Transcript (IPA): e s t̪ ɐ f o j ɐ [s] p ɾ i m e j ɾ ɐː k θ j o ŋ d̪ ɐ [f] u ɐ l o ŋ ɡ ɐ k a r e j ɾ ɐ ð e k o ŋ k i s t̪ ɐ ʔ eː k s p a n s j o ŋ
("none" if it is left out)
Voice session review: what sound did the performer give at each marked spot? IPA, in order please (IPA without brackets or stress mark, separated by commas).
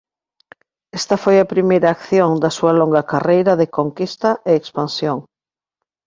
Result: none, s